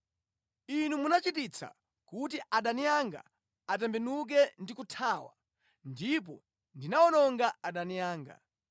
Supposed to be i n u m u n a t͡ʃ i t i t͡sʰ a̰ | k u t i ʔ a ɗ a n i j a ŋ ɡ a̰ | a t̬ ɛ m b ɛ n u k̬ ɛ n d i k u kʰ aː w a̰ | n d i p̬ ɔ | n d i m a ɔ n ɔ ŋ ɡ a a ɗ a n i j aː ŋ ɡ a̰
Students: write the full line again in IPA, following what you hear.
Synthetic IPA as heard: i n u m u n a t͡ʃ i t i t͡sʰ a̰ | k u t i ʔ a ɗ a n i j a ŋ ɡ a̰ | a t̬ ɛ m b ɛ n u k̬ ɛ n d i k u tʰ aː w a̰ | n d i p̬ ɔ | n d i n a ɔ n ɔ ŋ ɡ a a ɗ a n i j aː ŋ ɡ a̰

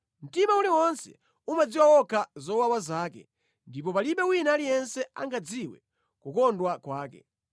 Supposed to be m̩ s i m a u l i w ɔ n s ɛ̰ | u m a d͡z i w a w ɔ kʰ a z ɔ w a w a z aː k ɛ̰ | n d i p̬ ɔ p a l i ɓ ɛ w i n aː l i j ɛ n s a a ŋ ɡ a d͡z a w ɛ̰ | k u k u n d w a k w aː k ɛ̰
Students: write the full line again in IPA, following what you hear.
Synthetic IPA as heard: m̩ t i m a u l i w ɔ n s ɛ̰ | u m a d͡z i w a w ɔ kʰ a z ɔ w a w a z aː k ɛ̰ | n d i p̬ ɔ p a l i ɓ ɛ w i n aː l i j ɛ n s ɛ a ŋ ɡ a d͡z i w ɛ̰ | k u k ɔ n d w a k w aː k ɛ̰

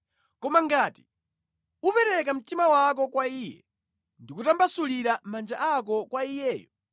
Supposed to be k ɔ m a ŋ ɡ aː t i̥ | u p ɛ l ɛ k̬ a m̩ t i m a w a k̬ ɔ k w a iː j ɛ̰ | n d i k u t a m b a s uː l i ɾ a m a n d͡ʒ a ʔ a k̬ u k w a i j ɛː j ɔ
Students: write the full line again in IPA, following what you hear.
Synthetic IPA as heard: k ɔ m a ŋ ɡ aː t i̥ | u p ɛ ɾ ɛ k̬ a m̩ t i m a w a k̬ ɔ k w a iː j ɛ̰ | n d i k u t a m b a s u l i ɾ a m a n d͡ʒ a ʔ a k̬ ɔ k w a i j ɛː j ɔ

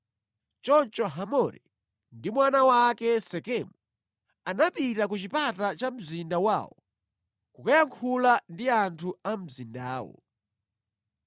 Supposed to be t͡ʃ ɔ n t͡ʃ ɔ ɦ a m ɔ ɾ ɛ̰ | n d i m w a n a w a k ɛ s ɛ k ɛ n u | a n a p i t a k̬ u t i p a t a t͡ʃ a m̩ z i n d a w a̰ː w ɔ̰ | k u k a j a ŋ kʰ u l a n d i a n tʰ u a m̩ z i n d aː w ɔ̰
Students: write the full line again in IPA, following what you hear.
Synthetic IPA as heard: t͡ʃ ɔ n t͡ʃ ɔ ɦ a m ɔ ɾ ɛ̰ | n d i m w a n a w a k ɛ s ɛ k ɛ m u | a n a p i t a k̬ u t͡ʃ i p a t a t͡ʃ a m̩ z i n d a w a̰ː w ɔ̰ | k u k a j a ŋ kʰ u l a n d i a n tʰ u a m̩ z i n d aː w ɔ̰

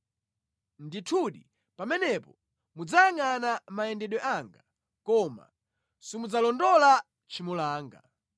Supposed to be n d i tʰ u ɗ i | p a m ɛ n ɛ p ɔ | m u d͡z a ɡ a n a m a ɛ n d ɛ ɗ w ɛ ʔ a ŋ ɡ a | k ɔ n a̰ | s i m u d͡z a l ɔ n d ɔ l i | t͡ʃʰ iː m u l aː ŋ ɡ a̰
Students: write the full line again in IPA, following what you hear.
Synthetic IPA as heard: n d i tʰ u ɗ i | p a m ɛ n ɛ p ɔ | m u d͡z a ŋ a n a m a ɛ n d ɛ ɗ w ɛ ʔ a ŋ ɡ a | k ɔ m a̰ | s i m u d͡z a l ɔ n d ɔ l a | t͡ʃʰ i m u l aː ŋ ɡ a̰

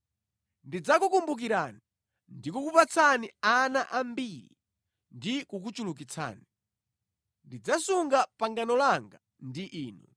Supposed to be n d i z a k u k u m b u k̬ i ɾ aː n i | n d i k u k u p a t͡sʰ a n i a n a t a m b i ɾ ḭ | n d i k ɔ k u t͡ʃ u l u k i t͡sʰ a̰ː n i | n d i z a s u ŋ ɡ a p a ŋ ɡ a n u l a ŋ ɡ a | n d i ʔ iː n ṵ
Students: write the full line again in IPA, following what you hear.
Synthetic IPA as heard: n d i d͡z a k u k u m b u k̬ i ɾ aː n i | n d i k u k u p a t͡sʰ a n i a n a ʔ a m b i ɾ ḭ | n d i k u k u t͡ʃ u l u k i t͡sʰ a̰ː n i | n d i d͡z a s u ŋ ɡ a p a ŋ ɡ a n ɔ l a ŋ ɡ a | n d i ʔ iː n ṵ

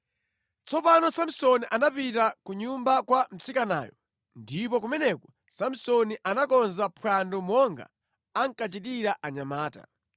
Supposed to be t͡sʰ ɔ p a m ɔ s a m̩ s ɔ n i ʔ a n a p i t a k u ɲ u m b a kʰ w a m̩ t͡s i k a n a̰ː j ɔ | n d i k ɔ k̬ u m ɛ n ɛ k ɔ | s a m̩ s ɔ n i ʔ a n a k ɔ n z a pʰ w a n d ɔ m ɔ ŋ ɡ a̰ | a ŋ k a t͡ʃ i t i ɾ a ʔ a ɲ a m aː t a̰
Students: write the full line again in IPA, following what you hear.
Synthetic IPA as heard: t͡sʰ ɔ p a n ɔ s a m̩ s ɔ n i ʔ a n a p i t a k u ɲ u m b a k w a m̩ t͡s i k a n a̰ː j ɔ | n d i p ɔ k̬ u m ɛ n ɛ k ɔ | s a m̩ s ɔ n i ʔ a n a k ɔ n z a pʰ w a n d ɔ m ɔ ŋ ɡ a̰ | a ŋ k a t͡ʃ i t i ɾ a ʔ a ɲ a m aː t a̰

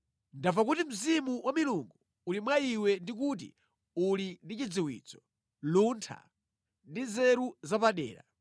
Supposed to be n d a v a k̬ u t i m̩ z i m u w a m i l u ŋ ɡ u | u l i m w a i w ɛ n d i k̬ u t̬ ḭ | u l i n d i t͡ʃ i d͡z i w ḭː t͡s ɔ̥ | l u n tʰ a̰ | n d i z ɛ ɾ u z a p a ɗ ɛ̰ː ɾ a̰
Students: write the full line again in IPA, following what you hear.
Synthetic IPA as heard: n d a v a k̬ u t i m̩ z i m u w a m i l u ŋ ɡ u | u l i m w a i w ɛ n d i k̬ u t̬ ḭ | u l i n d i t͡ʃ i d͡z i w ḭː t͡s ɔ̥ | l u n tʰ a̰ | n d i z ɛ ɾ u z a p a ɗ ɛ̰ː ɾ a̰

